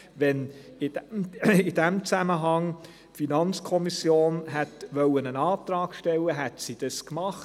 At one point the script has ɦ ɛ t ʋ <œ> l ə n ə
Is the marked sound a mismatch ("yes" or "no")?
no